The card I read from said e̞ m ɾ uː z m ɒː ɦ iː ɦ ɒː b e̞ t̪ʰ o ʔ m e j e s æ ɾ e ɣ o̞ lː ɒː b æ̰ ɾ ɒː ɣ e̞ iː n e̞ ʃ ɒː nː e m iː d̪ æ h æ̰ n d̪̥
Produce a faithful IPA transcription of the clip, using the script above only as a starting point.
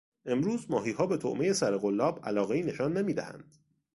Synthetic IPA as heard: e̞ m ɾ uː z m ɒː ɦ iː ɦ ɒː b e̞ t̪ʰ o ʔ m e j e s æ ɾ e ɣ o̞ lː ɒː b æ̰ l ɒː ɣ e̞ iː n e̞ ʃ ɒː nː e m iː d̪ æ h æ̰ n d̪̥

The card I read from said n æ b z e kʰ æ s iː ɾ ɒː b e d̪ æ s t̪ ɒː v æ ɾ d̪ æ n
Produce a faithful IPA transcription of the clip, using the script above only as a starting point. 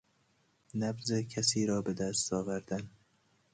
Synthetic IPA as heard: n æ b z e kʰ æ s iː ɾ ɒː b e d̪ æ s t̪ ɒː v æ ɾ d̪ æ n

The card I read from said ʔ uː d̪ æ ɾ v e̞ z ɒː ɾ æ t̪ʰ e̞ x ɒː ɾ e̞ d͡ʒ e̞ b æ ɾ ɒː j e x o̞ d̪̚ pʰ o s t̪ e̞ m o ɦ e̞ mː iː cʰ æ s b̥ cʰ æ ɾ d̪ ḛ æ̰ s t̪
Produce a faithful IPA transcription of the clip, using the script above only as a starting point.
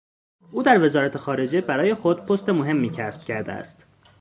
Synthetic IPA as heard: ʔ uː d̪ æ ɾ v e̞ z ɒː ɾ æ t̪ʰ e̞ x ɒː ɾ e̞ d͡ʒ e̞ b æ ɾ ɒː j e x o̞ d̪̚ pʰ o s t̪ e̞ m o ɦ e̞ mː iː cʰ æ s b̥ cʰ æ ɾ d̪ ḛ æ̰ s t̪

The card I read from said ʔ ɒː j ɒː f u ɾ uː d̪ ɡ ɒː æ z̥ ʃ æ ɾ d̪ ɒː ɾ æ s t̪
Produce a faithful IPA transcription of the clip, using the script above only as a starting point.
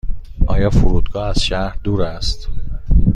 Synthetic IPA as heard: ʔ ɒː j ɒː f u ɾ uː d̪ ɡ ɒː æ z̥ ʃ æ ɾ d̪ uː ɾ æ s t̪

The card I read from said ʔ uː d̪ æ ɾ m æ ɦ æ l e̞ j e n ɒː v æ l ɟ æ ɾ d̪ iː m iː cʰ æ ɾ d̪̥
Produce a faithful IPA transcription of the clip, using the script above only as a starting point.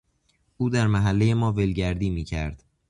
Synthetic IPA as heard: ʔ uː d̪ æ ɾ m æ ɦ æ lː e̞ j e m ɒː v e l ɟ æ ɾ d̪ iː m iː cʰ æ ɾ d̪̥

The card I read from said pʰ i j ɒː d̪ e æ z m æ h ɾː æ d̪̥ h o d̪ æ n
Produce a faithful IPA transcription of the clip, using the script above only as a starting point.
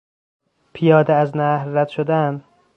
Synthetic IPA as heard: pʰ i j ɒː d̪ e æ z n æ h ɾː æ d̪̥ ʃ o d̪ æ n

